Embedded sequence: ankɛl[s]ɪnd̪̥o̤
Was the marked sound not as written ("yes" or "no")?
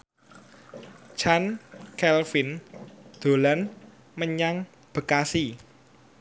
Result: yes